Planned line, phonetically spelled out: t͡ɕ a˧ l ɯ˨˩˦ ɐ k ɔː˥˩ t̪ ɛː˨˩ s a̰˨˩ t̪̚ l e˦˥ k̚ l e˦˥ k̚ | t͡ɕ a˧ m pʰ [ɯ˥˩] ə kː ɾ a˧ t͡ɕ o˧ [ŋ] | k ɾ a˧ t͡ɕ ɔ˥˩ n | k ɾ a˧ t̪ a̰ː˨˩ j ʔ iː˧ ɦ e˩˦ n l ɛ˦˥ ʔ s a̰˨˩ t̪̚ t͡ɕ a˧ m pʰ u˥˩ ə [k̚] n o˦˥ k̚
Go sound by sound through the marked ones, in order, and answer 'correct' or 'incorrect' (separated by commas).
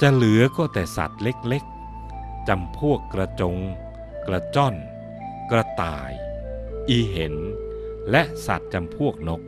incorrect, correct, correct